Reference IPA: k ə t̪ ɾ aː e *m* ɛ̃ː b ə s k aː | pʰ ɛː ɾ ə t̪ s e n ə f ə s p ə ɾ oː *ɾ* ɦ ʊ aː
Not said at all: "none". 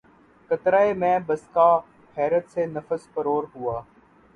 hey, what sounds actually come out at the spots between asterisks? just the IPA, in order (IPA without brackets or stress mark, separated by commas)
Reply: m, ɾ